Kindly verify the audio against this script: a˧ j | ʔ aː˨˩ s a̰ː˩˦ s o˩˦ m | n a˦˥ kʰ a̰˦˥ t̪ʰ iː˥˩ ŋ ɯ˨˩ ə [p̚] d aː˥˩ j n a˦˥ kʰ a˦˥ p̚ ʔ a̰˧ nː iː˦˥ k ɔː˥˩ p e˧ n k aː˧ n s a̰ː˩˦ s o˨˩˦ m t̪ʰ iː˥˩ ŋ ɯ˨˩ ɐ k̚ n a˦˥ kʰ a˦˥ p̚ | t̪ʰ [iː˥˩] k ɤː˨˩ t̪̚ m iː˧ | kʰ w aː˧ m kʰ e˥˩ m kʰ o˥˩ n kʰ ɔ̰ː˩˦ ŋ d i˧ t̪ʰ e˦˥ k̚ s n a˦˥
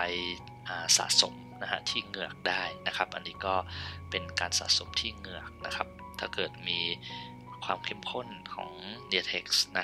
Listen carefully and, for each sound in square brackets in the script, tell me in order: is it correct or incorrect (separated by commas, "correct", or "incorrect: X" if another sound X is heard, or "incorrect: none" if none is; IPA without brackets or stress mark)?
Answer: incorrect: k̚, incorrect: aː˥˩